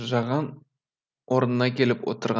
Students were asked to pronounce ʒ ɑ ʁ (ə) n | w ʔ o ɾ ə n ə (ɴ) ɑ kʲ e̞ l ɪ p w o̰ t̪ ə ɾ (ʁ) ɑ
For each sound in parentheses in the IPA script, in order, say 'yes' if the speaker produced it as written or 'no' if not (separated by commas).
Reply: no, no, yes